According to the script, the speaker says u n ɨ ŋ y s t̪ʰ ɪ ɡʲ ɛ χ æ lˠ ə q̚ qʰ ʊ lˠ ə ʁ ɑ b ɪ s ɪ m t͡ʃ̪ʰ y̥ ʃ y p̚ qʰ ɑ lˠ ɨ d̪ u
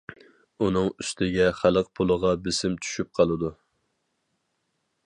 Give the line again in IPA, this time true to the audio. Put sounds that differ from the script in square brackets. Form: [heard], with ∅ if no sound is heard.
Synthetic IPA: u n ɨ ŋ y s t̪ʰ ɪ ɡʲ ɛ χ æ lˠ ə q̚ [pʰ] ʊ lˠ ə ʁ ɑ b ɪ s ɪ m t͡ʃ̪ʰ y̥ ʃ y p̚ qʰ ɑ lˠ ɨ d̪ u